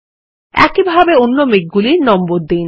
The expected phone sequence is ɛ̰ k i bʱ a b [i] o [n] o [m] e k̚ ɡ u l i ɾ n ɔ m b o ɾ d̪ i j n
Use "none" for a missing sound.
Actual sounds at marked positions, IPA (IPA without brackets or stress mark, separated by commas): e, nː, m